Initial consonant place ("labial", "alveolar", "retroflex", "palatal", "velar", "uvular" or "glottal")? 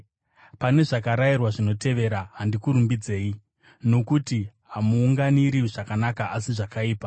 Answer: labial